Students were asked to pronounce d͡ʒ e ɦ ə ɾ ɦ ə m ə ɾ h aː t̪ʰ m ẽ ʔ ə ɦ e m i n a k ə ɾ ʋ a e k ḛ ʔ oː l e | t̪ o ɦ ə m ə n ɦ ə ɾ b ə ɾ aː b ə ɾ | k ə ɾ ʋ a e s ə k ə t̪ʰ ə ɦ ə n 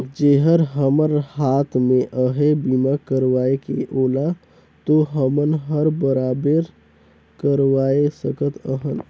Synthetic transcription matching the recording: d͡ʒ e ɦ ə ɾ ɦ ə m ə ɾ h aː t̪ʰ m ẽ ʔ ə ɦ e b i m a k ə ɾ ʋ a e k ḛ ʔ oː l a | t̪ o ɦ ə m ə n ɦ ə ɾ b ə ɾ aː b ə ɾ | k ə ɾ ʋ a e s ə k ə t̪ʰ ə ɦ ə n